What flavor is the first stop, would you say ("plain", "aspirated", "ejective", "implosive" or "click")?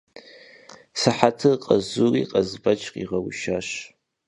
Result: aspirated